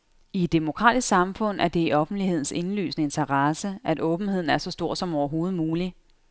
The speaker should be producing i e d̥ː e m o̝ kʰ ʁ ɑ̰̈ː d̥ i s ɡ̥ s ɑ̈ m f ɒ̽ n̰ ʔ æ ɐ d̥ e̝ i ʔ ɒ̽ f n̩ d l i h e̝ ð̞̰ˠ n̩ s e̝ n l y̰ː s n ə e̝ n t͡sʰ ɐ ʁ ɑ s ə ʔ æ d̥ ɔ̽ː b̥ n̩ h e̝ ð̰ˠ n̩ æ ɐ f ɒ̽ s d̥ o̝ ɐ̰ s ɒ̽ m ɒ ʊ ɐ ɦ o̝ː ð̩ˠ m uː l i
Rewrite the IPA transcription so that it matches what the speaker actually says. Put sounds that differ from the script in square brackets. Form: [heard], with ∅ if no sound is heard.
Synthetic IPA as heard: i e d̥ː e m o̝ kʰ ʁ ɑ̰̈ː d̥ i s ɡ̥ s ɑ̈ m f [ɔ̽] n̰ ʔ æ ɐ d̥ e̝ i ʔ ɒ̽ f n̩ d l i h e̝ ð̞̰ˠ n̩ s e̝ n l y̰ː s n ə e̝ n t͡sʰ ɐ ʁ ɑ s ə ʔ æ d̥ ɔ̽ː b̥ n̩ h e̝ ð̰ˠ n̩ æ ɐ [s] ɒ̽ s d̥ o̝ ɐ̰ s ɒ̽ m ɒ ʊ ɐ ɦ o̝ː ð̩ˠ m uː l i